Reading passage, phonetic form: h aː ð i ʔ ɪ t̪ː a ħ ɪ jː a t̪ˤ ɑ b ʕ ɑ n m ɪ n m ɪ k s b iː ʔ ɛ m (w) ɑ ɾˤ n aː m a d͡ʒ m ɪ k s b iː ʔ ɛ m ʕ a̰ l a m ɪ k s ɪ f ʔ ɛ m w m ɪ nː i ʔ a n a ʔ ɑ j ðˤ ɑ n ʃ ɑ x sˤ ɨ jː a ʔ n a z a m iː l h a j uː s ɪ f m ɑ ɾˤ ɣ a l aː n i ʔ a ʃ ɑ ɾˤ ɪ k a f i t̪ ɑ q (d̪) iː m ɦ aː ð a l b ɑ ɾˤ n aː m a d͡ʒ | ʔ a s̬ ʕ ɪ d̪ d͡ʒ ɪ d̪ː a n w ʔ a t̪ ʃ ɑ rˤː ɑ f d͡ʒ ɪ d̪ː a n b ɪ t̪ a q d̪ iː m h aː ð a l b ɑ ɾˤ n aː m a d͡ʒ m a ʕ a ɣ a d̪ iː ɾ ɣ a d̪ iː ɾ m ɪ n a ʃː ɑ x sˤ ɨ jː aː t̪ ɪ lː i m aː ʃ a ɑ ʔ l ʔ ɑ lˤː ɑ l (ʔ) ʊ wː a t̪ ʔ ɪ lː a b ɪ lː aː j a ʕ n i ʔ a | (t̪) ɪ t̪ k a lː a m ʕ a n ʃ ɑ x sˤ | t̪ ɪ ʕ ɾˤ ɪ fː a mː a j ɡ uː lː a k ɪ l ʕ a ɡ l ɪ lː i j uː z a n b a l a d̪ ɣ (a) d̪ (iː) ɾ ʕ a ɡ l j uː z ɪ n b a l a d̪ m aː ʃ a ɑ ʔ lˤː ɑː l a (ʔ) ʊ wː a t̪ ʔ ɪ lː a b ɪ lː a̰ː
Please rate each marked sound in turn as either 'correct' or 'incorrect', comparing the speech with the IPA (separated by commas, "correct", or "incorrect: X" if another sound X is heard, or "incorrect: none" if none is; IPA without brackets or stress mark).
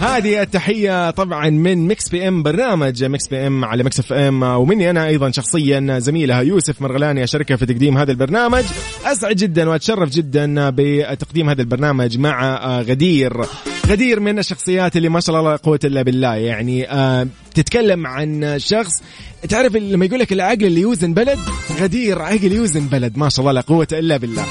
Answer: incorrect: b, correct, incorrect: q, correct, correct, correct, incorrect: q